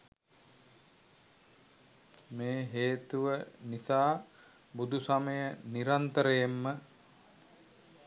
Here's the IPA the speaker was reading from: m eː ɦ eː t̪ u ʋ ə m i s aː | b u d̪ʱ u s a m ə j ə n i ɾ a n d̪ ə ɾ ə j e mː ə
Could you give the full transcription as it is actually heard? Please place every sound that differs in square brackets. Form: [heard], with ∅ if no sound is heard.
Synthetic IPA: m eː ɦ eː t̪ u ʋ ə [n] i s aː | b u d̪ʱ u s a m ə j ə n i ɾ a n [t̪] ə ɾ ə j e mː ə